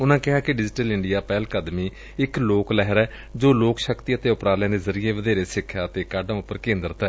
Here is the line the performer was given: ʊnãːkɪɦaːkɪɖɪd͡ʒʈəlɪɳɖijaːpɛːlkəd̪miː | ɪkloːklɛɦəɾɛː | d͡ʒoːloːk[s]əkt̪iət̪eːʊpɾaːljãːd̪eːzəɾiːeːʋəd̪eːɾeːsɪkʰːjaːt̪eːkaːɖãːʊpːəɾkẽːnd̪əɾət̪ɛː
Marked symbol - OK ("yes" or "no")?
no